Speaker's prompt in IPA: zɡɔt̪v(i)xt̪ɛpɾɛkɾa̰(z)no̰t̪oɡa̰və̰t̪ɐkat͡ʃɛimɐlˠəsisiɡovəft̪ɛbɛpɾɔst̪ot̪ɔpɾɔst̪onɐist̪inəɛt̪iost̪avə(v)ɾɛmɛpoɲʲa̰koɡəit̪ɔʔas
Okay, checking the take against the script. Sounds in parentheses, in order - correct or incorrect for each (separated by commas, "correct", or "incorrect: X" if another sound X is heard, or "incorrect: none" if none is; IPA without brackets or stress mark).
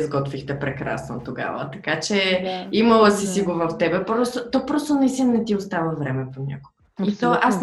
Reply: correct, incorrect: s, correct